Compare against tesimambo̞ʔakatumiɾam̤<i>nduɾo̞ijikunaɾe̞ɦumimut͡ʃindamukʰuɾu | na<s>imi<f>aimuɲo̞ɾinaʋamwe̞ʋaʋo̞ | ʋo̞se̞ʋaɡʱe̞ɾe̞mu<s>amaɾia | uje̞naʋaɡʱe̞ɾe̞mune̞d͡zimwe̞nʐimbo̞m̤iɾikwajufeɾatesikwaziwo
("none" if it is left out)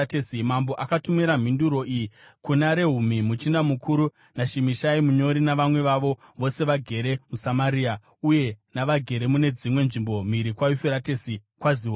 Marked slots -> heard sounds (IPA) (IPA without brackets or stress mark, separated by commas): i, ʃ, ʃ, s